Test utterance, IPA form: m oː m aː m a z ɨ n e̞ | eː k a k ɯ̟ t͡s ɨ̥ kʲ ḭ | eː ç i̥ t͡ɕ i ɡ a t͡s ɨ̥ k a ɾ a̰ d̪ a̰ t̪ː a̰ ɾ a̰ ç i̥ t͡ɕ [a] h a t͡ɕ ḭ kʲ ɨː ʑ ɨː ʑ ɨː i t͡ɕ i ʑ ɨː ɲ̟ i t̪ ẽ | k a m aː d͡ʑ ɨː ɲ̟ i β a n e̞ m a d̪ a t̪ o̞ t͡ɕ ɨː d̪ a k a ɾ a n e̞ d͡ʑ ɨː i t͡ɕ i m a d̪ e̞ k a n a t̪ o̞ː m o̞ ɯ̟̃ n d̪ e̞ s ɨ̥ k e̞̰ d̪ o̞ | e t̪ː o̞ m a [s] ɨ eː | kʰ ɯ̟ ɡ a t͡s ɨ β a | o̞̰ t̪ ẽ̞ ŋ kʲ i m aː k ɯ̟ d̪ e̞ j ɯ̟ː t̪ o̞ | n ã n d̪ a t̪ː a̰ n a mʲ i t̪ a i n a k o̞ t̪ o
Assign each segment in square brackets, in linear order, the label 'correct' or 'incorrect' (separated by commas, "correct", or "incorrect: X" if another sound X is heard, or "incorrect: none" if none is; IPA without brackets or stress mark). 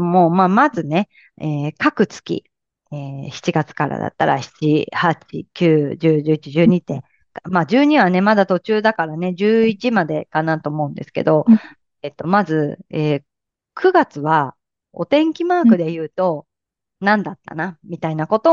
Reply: incorrect: i, incorrect: z